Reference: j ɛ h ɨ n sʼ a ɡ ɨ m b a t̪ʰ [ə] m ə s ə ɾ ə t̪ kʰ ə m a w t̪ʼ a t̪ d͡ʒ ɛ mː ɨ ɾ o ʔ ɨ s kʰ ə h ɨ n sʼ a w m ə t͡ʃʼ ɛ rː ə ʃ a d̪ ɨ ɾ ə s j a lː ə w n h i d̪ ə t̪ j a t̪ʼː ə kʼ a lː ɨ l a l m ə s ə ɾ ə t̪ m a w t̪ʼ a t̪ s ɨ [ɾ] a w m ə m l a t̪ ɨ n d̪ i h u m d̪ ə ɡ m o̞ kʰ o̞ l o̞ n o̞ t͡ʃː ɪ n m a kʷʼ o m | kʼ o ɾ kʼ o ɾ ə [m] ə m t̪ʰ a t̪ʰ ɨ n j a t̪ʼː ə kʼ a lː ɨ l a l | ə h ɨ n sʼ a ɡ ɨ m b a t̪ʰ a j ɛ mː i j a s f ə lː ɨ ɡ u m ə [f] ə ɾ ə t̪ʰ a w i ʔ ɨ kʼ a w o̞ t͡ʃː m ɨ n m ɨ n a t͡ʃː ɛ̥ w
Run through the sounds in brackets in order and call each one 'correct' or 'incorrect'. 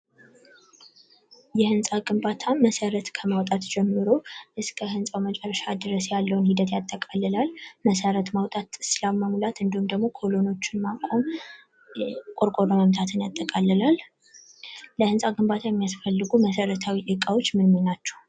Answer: incorrect: a, incorrect: l, correct, incorrect: s

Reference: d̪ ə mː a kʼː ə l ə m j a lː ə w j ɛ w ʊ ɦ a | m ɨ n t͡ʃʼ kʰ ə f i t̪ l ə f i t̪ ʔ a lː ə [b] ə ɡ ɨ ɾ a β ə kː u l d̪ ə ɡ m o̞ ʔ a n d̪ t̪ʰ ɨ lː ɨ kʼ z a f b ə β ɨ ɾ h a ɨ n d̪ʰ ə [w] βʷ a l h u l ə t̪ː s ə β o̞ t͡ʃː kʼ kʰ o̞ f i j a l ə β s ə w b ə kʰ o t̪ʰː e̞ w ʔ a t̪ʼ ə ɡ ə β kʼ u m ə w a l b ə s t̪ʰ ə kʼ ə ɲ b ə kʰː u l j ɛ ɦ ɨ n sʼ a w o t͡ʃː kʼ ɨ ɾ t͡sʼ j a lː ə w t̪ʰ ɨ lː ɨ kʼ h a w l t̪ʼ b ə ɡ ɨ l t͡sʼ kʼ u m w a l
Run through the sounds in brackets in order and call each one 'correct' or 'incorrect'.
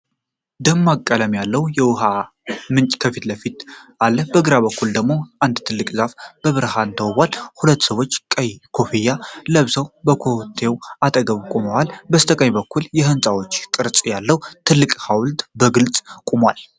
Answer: correct, correct

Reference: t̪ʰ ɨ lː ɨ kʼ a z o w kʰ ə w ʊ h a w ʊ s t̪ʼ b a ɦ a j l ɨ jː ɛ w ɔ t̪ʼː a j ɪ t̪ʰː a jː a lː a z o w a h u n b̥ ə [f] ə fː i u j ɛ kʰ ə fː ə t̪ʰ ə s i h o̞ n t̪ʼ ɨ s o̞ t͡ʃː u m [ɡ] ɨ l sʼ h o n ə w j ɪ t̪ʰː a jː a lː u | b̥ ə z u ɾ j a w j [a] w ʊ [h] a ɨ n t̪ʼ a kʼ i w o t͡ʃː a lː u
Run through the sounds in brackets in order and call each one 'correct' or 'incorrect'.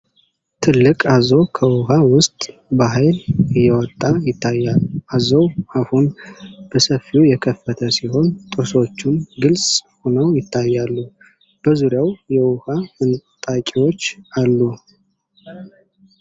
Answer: incorrect: s, correct, incorrect: ɛ, correct

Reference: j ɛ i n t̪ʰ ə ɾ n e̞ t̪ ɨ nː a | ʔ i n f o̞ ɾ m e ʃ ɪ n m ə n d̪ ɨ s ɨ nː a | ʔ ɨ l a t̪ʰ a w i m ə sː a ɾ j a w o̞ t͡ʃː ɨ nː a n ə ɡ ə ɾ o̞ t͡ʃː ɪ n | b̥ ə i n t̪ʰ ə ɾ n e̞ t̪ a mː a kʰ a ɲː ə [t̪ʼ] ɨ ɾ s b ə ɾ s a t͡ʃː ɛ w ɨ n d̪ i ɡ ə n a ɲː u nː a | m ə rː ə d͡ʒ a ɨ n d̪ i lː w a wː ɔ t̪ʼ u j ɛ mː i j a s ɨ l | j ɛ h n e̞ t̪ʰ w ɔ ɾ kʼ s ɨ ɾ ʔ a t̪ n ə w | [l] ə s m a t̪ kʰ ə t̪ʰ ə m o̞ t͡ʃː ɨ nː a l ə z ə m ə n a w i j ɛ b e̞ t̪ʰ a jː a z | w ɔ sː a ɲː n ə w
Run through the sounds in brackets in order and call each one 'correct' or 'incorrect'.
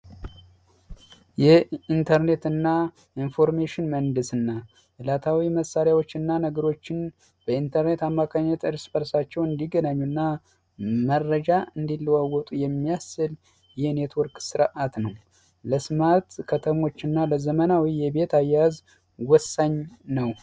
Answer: incorrect: t̪, correct

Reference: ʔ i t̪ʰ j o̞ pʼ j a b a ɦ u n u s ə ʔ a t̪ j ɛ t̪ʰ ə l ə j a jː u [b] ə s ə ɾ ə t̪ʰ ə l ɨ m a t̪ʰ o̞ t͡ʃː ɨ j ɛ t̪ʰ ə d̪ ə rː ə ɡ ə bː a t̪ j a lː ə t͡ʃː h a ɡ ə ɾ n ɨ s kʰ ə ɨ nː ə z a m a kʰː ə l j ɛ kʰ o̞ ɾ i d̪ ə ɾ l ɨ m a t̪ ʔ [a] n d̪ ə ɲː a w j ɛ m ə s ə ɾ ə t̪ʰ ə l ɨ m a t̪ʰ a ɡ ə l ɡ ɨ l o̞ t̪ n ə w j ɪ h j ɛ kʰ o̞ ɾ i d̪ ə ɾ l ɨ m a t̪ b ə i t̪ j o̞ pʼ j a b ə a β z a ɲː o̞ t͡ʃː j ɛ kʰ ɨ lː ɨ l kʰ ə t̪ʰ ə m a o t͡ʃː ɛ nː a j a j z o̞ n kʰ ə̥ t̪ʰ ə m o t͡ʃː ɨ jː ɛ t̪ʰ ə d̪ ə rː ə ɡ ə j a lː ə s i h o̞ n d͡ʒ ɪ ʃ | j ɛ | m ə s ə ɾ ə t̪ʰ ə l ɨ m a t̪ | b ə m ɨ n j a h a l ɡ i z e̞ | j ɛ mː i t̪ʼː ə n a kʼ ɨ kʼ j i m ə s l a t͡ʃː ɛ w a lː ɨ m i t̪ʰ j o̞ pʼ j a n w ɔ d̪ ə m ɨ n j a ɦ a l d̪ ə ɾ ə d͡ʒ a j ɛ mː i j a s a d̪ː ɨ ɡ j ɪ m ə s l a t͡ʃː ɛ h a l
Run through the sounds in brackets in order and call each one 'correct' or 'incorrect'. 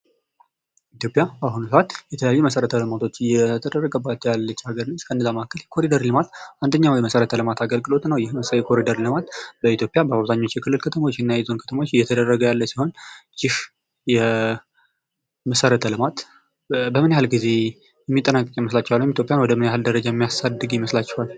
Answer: incorrect: m, correct

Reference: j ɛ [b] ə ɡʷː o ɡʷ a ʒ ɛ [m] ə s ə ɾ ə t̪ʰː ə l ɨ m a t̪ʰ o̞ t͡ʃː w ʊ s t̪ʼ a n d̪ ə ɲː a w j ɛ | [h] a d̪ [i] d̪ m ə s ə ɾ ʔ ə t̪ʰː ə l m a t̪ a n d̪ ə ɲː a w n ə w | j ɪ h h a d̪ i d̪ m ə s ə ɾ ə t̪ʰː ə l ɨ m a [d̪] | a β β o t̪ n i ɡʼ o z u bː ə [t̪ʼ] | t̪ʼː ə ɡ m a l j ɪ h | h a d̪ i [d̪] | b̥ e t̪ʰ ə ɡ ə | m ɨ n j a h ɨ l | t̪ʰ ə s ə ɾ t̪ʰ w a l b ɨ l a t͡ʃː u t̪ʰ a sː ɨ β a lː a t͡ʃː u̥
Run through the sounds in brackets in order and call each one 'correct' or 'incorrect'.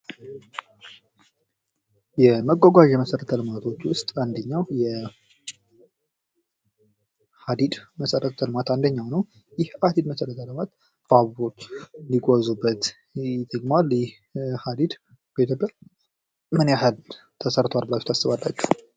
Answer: incorrect: m, correct, correct, correct, incorrect: t̪, incorrect: t̪, correct

